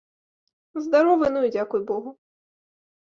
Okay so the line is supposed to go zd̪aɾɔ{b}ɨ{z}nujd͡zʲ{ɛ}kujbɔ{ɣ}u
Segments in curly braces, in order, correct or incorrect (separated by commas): incorrect, incorrect, incorrect, correct